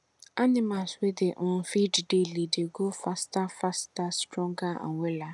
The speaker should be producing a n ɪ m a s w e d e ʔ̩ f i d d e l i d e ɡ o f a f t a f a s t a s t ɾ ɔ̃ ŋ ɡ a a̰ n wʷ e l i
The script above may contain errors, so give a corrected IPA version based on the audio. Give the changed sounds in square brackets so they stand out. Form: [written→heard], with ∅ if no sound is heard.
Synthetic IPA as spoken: a n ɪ m a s w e d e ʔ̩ f i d d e l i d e ɡ o f a [f→s] t a f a s t a s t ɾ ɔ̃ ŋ ɡ a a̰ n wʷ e l [i→a]